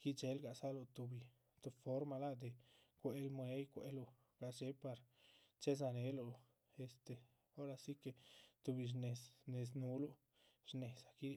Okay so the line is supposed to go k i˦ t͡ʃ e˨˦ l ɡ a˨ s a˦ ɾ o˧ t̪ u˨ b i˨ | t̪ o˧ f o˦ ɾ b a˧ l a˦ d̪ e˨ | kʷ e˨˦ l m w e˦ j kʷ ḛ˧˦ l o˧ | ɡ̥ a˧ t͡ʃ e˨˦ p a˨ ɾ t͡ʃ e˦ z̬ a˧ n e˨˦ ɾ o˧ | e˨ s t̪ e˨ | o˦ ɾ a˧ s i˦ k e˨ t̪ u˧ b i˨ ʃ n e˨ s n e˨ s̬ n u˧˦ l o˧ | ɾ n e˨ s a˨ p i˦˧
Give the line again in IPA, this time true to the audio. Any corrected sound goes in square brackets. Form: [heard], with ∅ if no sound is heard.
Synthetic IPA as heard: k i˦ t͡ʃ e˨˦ l ɡ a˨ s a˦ [l] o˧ t̪ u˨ b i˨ | t̪ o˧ f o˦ ɾ [m] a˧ l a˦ d̪ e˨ | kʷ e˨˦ l m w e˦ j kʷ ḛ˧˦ l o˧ | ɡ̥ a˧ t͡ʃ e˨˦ p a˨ ɾ t͡ʃ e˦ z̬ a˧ n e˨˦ [l] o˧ | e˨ s t̪ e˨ | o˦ ɾ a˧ s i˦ k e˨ t̪ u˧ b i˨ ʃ n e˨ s n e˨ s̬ n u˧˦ l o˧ | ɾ n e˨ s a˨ [k] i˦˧